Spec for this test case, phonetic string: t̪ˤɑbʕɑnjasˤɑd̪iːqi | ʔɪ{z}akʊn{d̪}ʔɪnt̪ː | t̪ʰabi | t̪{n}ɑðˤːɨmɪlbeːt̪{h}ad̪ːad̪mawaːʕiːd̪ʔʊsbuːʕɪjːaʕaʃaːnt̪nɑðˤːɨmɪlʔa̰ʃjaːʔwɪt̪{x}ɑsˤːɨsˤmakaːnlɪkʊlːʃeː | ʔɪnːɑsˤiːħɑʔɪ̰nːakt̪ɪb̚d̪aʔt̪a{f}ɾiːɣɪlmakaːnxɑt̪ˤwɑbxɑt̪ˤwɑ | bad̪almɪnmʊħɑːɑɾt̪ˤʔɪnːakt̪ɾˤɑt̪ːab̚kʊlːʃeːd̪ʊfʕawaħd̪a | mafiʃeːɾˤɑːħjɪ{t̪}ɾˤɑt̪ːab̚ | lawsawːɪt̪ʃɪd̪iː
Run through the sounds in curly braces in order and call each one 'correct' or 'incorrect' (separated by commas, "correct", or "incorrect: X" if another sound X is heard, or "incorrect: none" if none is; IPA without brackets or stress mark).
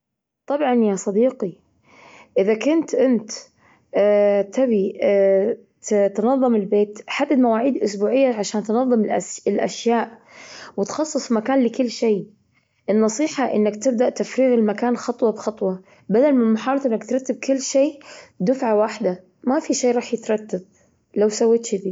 incorrect: ð, incorrect: t̪, correct, incorrect: ħ, correct, correct, correct